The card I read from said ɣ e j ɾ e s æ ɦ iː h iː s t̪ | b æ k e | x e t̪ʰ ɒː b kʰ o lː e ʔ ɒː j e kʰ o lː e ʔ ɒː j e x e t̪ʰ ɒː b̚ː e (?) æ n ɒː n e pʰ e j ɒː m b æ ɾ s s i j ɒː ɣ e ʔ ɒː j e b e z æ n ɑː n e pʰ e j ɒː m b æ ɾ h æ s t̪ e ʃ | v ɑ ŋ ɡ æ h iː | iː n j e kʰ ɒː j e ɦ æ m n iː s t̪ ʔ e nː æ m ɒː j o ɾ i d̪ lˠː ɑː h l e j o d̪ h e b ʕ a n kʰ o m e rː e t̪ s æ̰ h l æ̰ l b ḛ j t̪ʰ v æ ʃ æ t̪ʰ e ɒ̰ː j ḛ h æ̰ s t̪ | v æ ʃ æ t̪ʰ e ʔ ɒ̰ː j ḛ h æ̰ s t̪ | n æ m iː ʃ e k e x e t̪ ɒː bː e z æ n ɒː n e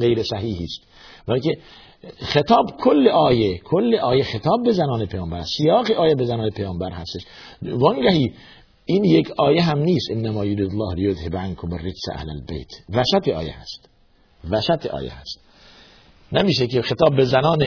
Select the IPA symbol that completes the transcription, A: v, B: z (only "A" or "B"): B